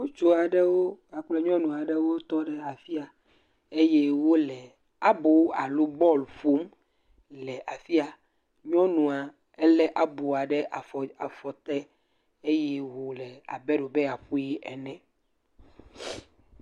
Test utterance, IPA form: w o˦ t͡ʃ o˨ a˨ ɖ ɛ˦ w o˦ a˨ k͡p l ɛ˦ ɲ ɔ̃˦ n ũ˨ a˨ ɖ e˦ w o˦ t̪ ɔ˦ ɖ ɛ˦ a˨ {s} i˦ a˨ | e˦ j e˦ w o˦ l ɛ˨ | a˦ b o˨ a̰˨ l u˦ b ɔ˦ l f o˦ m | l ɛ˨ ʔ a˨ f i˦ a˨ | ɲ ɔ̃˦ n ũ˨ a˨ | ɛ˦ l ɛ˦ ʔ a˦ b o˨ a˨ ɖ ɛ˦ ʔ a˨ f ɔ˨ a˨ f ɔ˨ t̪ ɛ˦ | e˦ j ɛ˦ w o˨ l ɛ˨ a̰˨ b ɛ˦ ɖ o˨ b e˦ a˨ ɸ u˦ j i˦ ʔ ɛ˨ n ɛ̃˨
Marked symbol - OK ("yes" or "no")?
no